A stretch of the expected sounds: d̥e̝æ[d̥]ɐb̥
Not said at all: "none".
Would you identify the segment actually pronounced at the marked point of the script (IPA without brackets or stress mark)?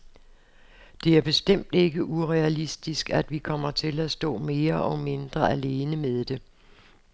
none